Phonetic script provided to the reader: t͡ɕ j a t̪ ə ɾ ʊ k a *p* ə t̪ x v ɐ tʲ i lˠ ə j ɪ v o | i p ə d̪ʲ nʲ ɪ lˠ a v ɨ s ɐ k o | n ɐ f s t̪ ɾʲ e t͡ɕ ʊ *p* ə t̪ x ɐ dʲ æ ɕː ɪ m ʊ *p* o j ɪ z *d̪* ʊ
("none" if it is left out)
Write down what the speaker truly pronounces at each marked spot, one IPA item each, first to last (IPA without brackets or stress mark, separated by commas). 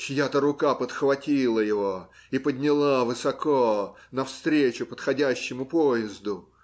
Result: p, p, p, d̪